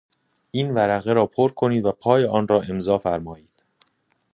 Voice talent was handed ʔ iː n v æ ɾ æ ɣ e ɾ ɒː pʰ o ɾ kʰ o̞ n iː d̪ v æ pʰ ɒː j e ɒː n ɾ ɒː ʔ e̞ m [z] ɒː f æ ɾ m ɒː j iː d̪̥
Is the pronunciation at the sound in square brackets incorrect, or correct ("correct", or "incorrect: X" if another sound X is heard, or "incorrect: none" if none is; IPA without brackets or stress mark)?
correct